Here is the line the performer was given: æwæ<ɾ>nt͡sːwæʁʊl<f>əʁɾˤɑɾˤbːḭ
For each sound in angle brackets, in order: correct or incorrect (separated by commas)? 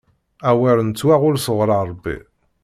correct, incorrect